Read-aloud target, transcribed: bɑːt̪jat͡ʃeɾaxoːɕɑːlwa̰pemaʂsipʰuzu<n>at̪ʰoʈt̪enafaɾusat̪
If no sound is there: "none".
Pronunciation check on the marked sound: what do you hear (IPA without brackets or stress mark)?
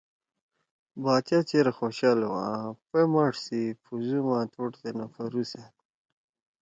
m